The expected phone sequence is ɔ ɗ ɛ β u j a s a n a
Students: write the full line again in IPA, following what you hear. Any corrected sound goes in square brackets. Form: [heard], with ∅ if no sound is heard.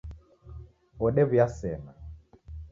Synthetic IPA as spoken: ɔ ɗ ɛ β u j a s [ɛ] n a